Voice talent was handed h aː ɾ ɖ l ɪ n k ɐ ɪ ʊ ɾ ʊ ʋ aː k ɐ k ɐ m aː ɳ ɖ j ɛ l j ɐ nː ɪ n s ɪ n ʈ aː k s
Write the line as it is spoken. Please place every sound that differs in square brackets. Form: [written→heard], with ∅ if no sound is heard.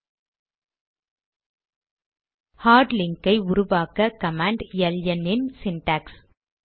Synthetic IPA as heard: h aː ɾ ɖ l ɪ [n→ŋ] k ɐ ɪ ʊ ɾ ʊ ʋ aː k ɐ k ɐ m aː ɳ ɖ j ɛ l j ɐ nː ɪ n s ɪ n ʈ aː k s

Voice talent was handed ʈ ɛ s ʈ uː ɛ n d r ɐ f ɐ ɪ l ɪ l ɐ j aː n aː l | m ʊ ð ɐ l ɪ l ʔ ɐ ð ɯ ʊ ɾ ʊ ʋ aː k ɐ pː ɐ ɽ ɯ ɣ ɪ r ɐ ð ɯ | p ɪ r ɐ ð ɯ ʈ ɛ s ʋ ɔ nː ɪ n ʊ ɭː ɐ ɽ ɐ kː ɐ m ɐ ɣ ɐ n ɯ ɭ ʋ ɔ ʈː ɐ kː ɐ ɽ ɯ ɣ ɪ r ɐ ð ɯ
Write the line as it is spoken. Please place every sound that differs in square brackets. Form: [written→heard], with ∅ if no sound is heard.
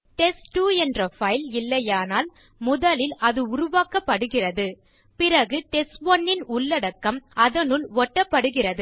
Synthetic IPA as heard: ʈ ɛ s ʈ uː ɛ n d r ɐ f ɐ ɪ l ɪ [l→lː] ɐ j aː n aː l | m ʊ ð ɐ l ɪ l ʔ ɐ ð ɯ ʊ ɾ ʊ ʋ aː k ɐ pː ɐ ɽ ɯ ɣ ɪ r ɐ ð ɯ | p ɪ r ɐ [ð→ɣ] ɯ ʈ ɛ s ʋ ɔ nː ɪ n ʊ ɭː ɐ ɽ ɐ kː ɐ m ɐ [ɣ→ð] ɐ n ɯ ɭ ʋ ɔ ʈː ɐ [kː→pː] ɐ ɽ ɯ ɣ ɪ r ɐ ð ɯ

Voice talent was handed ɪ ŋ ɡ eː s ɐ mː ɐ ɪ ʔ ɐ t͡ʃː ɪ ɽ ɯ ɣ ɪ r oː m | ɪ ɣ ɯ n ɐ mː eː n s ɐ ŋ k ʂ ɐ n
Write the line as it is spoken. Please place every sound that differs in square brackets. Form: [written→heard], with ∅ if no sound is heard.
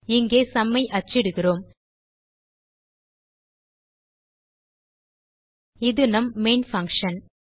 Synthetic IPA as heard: ɪ ŋ ɡ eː s ɐ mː ɐ ɪ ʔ ɐ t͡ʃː ɪ ɽ ɯ ɣ ɪ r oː m | ɪ [ɣ→ð] ɯ n ɐ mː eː n [s→f] ɐ ŋ k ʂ ɐ n

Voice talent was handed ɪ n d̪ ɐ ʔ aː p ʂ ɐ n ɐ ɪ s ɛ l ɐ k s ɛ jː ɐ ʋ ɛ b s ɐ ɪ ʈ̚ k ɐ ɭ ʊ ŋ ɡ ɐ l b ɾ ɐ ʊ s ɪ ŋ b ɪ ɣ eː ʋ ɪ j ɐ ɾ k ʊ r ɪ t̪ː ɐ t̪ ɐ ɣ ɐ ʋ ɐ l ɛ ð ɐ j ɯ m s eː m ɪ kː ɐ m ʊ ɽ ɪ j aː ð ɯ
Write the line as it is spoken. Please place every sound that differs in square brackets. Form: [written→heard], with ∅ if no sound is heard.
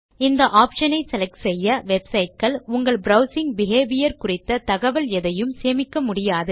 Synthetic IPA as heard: ɪ n d̪ ɐ ʔ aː p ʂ ɐ n ɐ ɪ s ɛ l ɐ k s ɛ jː ɐ ʋ ɛ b s ɐ ɪ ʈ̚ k ɐ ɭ ʊ ŋ ɡ ɐ [l→ɭ] b ɾ ɐ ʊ s ɪ ŋ b ɪ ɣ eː ʋ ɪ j ɐ ɾ k ʊ r ɪ t̪ː ɐ t̪ ɐ ɣ ɐ ʋ ɐ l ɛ ð ɐ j ɯ m s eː m ɪ kː ɐ m ʊ ɽ ɪ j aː ð ɯ

